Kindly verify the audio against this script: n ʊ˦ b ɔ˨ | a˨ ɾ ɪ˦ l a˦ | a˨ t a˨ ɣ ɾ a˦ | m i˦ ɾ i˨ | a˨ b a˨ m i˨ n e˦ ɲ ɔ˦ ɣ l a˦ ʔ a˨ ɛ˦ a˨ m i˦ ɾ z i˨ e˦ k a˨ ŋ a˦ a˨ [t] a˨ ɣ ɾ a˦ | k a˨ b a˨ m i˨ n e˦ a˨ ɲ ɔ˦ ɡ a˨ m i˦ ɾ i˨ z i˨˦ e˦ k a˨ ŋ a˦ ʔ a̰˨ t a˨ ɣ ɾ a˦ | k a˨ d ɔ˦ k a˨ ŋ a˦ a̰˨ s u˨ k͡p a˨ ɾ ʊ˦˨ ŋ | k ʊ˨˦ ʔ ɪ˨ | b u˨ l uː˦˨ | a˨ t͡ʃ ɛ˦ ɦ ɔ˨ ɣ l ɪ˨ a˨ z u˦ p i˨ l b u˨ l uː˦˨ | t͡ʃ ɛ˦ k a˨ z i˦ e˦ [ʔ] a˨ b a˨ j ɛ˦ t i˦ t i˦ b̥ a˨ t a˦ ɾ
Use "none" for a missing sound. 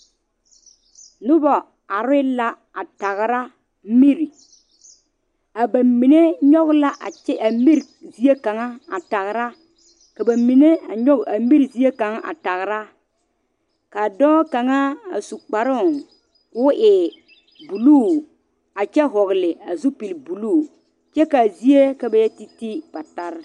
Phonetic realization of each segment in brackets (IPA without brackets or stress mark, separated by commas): t, k